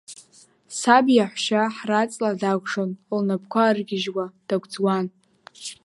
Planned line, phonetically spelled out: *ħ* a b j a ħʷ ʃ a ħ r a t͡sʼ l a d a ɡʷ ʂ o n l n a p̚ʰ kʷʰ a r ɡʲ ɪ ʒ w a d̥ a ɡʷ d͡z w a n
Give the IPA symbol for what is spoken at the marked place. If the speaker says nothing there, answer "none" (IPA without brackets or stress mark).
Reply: s